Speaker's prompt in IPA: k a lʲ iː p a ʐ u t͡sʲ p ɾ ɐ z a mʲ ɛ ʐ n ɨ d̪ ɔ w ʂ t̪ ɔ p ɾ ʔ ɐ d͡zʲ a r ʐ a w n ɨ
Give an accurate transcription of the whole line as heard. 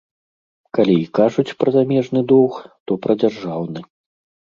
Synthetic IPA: k a lʲ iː k a ʐ u t͡sʲ p ɾ ɐ z a mʲ ɛ ʐ n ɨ d̪ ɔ w x t̪ ɔ p ɾ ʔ ɐ d͡zʲ a r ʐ a w n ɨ